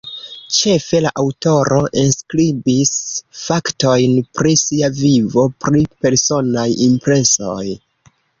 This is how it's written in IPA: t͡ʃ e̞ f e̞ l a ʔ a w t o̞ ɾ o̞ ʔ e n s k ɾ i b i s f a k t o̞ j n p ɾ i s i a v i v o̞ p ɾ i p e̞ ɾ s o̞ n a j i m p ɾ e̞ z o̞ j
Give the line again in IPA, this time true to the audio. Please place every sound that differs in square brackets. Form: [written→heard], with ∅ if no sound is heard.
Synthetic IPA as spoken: t͡ʃ e̞ f e̞ l a ʔ a w t o̞ ɾ o̞ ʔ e n s k ɾ i b i s f a k t o̞ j n p ɾ i s i a v i v o̞ p ɾ i p e̞ ɾ s o̞ n a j i m p ɾ e̞ [z→s] o̞ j